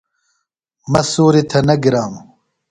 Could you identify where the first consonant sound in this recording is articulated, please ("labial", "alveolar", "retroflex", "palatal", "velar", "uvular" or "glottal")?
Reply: labial